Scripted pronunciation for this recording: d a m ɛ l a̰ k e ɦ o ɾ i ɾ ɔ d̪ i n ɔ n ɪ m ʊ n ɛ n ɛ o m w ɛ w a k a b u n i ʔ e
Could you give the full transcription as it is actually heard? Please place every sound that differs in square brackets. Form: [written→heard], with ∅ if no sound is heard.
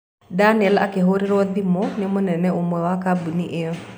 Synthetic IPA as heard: d a [m→n] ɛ l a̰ k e ɦ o ɾ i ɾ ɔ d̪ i [n→m] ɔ n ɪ m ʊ n ɛ n ɛ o m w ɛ w a k a b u n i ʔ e